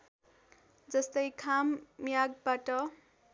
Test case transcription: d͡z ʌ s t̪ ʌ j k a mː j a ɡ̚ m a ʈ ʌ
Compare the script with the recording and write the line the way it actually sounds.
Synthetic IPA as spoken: d͡z ʌ s t̪ ʌ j kʰ a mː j a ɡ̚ b a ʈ ʌ